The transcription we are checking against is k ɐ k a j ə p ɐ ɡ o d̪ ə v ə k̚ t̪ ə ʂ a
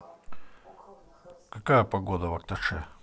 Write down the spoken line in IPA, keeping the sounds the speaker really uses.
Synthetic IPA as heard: k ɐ k a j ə p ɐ ɡ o d̪ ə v ɐ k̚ t̪ ɐ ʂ ɛ